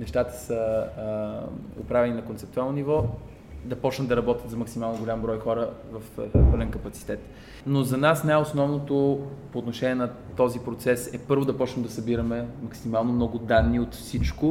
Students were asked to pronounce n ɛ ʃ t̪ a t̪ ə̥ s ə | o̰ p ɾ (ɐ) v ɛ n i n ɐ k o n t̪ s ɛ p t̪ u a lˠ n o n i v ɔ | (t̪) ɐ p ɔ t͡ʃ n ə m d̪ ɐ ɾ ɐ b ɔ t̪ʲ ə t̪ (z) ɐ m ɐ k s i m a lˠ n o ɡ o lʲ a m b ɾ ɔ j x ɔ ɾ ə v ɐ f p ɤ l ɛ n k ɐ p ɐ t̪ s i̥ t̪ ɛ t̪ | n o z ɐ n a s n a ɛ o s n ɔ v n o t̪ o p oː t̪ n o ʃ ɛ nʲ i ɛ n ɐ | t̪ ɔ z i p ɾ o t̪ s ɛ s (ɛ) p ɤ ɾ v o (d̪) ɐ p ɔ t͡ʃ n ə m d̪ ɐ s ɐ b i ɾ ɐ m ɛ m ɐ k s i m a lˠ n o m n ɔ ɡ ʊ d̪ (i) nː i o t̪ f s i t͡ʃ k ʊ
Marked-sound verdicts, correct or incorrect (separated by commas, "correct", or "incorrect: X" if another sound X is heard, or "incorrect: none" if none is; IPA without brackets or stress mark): incorrect: a, incorrect: d̪, correct, correct, correct, incorrect: a